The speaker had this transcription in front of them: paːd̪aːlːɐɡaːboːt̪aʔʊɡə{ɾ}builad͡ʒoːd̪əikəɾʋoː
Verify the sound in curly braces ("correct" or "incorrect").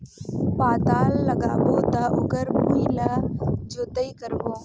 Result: correct